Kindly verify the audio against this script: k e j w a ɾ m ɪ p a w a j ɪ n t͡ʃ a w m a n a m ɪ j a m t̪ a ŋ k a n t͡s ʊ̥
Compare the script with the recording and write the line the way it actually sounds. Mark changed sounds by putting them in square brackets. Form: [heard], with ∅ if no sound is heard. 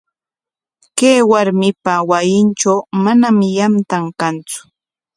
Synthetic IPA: k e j w a ɾ m ɪ p a w a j ɪ n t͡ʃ a w m a n a m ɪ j a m t̪ a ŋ k a n t͡s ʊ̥